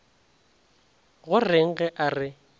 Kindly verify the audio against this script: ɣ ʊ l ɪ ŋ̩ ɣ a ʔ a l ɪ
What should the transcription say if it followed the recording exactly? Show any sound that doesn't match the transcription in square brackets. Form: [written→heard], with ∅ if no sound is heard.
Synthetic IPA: ɣ ʊ [l→r] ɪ ŋ̩ ɣ [a→ɛ] ʔ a [l→r] ɪ